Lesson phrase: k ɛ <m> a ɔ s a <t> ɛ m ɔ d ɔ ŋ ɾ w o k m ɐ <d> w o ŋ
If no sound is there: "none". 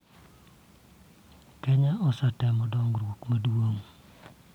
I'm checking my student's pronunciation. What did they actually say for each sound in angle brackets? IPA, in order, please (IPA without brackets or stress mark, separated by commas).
ɲ, t, d